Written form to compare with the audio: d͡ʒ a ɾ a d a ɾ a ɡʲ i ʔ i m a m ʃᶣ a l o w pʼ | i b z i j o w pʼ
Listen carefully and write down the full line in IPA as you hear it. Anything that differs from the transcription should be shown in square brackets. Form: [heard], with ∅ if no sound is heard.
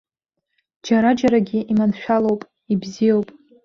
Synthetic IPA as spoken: d͡ʒ a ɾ a [d͡ʒ] a ɾ a ɡʲ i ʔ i m a [n] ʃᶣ a l o w pʼ | i b z i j o w pʼ